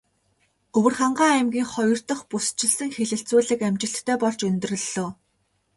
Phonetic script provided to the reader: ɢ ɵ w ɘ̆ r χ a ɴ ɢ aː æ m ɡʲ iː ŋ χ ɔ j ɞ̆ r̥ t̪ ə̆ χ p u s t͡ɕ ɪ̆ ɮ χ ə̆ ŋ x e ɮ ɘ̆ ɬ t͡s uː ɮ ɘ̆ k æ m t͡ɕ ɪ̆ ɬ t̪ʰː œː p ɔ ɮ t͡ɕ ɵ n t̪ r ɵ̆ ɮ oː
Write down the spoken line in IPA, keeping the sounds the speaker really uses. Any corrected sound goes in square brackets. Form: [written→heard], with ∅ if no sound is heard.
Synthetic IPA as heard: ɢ ɵ w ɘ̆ r χ a ɴ ɢ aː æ m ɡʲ iː ŋ χ ɔ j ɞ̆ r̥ t̪ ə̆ χ p u s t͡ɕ ɪ̆ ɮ [χ→s] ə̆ ŋ x e ɮ ɘ̆ ɬ t͡s uː ɮ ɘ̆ k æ m t͡ɕ ɪ̆ ɬ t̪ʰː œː p ɔ ɮ t͡ɕ ɵ n t̪ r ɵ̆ ɮ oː